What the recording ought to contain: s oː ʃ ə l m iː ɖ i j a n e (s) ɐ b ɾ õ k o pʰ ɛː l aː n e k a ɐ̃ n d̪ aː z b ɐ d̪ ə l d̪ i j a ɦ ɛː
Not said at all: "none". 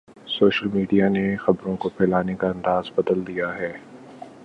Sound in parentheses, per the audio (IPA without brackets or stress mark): x